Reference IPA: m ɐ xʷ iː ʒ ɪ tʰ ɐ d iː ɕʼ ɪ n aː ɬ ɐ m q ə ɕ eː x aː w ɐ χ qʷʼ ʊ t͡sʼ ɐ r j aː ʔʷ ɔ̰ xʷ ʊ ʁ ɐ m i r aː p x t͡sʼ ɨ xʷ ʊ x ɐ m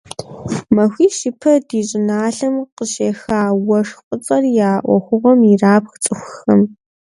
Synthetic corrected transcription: m ɐ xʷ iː ʃ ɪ pʰ ɐ d iː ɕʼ ɪ n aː ɬ ɐ m q ə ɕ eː x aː w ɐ ʂ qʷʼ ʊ t͡sʼ ɐ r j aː ʔʷ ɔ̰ xʷ ʊ ʁ ɐ m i r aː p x t͡sʼ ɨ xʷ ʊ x ɐ m